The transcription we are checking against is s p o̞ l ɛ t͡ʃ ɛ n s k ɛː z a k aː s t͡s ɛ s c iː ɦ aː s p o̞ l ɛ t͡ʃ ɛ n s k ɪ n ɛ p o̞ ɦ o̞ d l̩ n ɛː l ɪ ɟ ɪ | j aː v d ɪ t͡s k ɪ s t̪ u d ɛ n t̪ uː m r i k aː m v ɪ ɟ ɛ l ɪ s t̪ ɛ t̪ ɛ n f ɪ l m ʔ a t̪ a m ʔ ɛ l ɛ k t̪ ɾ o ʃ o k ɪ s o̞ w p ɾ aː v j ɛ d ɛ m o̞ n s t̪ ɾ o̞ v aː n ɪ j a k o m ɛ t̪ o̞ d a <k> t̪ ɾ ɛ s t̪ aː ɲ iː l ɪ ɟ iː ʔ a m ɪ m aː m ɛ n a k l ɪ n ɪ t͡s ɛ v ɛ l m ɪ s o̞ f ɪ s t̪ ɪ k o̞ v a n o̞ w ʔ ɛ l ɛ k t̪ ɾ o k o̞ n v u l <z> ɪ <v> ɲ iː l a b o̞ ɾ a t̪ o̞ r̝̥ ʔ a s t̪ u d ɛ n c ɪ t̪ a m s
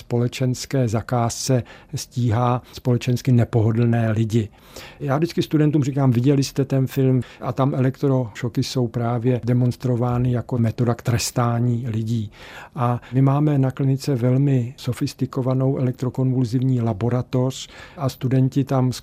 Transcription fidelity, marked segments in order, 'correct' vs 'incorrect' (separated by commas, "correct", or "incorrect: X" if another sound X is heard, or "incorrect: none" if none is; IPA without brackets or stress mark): correct, correct, correct